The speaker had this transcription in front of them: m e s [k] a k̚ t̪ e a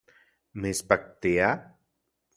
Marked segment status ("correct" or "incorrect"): incorrect